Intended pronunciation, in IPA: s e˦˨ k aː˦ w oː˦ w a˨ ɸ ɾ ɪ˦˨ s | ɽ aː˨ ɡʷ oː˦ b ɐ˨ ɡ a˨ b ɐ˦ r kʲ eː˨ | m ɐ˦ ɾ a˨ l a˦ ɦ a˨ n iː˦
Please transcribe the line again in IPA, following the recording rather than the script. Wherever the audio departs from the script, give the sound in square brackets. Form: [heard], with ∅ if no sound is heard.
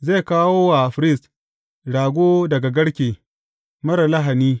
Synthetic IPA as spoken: [z] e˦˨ k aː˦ w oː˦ w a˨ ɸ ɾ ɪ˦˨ s | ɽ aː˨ ɡʷ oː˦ [d] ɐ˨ ɡ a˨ [ɡ] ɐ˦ [ɽ] kʲ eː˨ | m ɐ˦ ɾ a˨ l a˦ ɦ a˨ n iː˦

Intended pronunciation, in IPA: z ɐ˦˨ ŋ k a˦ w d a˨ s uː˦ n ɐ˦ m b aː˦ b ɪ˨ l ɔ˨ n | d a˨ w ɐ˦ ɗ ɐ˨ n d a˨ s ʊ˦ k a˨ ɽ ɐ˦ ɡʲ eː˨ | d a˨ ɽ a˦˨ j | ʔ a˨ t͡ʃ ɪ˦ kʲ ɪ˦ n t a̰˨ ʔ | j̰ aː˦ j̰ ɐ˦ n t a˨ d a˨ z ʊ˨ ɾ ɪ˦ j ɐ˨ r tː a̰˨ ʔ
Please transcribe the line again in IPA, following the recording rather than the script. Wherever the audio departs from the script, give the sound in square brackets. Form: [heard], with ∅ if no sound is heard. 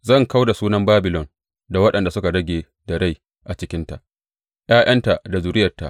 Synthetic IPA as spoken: z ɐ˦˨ ŋ k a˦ w d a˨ s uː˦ n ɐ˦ m b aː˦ b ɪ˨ l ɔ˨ n | d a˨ w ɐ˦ ɗ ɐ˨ n d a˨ s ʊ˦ k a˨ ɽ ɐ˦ ɡʲ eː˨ | d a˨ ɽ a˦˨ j | ʔ a˨ t͡ʃ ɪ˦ kʲ ɪ˦ n t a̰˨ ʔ | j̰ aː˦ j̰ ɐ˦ n t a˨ d a˨ z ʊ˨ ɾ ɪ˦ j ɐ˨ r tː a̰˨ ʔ

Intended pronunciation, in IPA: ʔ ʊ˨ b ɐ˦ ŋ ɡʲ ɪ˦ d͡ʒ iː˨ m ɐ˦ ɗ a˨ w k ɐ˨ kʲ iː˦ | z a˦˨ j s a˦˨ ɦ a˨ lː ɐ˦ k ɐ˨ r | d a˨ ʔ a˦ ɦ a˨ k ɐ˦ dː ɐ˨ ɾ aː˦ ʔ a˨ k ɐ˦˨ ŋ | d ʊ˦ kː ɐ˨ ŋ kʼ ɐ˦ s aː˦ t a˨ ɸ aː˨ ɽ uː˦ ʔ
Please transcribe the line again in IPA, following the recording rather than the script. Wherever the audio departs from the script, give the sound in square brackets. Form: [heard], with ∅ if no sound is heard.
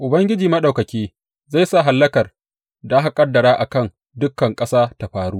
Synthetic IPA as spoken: ʔ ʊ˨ b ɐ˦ ŋ ɡʲ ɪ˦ d͡ʒ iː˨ m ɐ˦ ɗ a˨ w k ɐ˨ kʲ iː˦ | z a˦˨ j s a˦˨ ɦ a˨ lː ɐ˦ k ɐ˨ r | d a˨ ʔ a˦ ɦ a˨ [kʼ] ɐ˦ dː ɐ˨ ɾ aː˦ ʔ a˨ k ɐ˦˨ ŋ | d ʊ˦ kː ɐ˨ ŋ kʼ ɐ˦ s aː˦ t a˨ ɸ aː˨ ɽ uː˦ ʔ

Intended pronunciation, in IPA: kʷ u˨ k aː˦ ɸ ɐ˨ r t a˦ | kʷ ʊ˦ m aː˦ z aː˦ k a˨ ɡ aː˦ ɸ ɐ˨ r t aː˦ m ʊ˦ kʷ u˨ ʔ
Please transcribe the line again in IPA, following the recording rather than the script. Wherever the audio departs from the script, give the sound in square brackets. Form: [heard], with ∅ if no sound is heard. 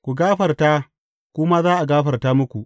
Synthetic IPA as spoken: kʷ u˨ [ɡ] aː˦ ɸ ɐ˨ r t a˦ | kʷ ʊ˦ m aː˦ z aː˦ [ʔ] a˨ ɡ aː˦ ɸ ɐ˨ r t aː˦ m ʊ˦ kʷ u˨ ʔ

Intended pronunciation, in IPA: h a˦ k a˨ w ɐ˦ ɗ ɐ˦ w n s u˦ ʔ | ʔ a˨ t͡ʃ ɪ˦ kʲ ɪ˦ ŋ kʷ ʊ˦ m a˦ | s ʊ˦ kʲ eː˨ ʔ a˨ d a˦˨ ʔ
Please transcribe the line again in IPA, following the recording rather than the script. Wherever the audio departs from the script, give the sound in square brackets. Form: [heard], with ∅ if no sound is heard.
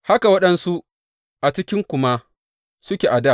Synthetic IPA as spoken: h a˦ k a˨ w ɐ˦ ɗ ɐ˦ [∅] n s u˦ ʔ | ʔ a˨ t͡ʃ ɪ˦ kʲ ɪ˦ ŋ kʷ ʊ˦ m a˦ | s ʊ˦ kʲ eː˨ ʔ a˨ d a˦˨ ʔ

